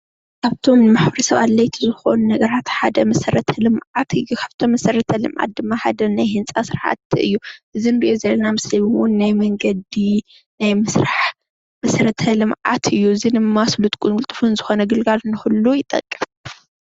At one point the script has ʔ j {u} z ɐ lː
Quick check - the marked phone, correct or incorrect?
incorrect